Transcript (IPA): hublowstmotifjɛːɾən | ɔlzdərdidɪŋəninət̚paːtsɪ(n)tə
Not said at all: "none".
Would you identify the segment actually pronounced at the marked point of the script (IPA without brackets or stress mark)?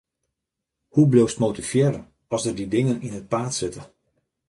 none